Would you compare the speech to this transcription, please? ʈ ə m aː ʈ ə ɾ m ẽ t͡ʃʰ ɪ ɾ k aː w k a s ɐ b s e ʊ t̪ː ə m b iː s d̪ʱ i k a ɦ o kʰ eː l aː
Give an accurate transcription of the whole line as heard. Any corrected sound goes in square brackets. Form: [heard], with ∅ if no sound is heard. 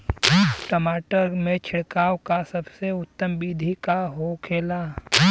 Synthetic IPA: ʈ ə m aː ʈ ə ɾ m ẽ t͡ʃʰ ɪ [ɽ] k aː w k a s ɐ b s e ʊ t̪ː ə m b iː [∅] d̪ʱ i k a ɦ o kʰ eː l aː